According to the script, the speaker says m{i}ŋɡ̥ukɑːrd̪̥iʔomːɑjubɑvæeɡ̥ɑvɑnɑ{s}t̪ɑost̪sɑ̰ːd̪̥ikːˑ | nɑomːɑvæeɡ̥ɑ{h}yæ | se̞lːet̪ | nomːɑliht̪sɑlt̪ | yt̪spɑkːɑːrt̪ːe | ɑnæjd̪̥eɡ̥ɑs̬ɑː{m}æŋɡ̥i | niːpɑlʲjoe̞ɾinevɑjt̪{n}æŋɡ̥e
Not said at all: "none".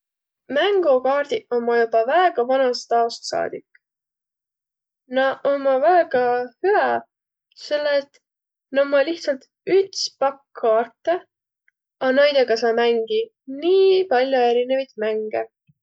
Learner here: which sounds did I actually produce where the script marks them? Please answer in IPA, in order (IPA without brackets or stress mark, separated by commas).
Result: æ, s, h, m, m